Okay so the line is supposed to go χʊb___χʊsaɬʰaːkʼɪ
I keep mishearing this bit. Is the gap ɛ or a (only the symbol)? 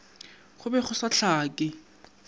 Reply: ɛ